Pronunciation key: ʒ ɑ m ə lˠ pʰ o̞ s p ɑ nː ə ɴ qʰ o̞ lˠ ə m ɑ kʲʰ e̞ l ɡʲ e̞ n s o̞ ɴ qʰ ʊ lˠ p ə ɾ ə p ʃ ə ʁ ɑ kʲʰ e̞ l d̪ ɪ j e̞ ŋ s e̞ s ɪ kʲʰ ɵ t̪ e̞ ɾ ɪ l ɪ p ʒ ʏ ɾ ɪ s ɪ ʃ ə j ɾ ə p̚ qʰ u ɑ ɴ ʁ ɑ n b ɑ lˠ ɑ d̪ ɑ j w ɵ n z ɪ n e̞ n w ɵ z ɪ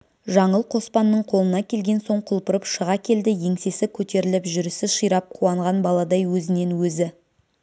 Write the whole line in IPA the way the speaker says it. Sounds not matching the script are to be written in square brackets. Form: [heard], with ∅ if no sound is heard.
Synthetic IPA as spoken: ʒ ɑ [ɴ] ə lˠ [qʰ] o̞ s p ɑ nː ə ɴ qʰ o̞ lˠ ə [n] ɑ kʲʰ e̞ l ɡʲ e̞ n s o̞ ɴ qʰ ʊ lˠ p ə ɾ ə p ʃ ə ʁ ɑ kʲʰ e̞ l d̪ ɪ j e̞ ŋ s e̞ s ɪ kʲʰ ɵ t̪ e̞ ɾ ɪ l ɪ p ʒ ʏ ɾ ɪ s ɪ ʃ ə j ɾ [ɑ] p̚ qʰ u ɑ ɴ ʁ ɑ n b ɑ lˠ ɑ d̪ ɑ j w ɵ [∅] z ɪ n e̞ n w ɵ z ɪ